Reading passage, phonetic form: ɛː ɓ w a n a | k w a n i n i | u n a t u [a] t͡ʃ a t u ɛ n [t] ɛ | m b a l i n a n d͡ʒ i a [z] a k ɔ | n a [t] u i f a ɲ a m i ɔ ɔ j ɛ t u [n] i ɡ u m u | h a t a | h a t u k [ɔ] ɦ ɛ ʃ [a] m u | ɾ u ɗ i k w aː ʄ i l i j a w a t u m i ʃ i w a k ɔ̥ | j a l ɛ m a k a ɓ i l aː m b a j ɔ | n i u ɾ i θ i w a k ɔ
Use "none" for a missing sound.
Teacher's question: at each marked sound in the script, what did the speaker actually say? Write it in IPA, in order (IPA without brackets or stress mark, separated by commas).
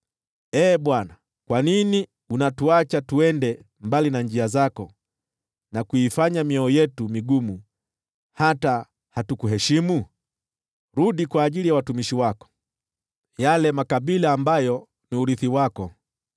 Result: a, d, z, k, m, u, i